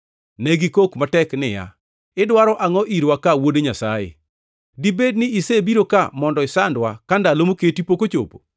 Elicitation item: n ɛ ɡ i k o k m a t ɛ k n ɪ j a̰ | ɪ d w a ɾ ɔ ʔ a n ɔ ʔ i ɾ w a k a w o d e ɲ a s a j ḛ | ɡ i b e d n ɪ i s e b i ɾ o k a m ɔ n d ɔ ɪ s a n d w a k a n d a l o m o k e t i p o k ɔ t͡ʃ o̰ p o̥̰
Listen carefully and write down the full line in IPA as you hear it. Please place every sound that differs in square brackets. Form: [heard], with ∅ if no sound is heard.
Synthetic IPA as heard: n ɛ ɡ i k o k m a t ɛ k n ɪ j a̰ | ɪ d w a ɾ ɔ ʔ a [ŋ] ɔ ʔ i ɾ w a k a w o d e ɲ a s a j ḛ | [d] i b e d n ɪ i s e b i ɾ o k a m ɔ n d ɔ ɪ s a n d w a k a n d a l o m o k e t i p o k [o] t͡ʃ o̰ p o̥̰